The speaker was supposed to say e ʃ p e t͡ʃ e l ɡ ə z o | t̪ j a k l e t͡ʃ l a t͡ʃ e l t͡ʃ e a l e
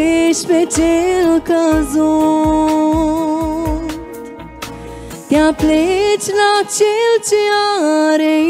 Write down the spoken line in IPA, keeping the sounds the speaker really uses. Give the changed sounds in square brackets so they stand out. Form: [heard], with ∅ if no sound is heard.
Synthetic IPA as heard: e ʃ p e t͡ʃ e l [k] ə z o | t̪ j a [p] l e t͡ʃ l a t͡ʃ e l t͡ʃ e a [ɾ] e